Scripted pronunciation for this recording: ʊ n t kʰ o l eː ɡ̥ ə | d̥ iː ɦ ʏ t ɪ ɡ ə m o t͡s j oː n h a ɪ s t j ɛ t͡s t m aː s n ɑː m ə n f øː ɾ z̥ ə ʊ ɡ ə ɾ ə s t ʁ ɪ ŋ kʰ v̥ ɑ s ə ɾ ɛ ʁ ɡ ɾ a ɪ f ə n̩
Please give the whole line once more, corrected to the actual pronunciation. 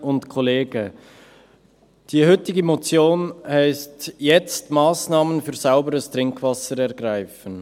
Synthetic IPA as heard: ʊ n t kʰ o l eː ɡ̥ ə | d̥ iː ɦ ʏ t ɪ ɡ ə m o t͡s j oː n h a ɪ s t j ɛ t͡s t m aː s n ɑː m ə n f yː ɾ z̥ a ʊ b ə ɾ ə s t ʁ ɪ ŋ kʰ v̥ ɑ s ə ɾ ɛ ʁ ɡ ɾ a ɪ f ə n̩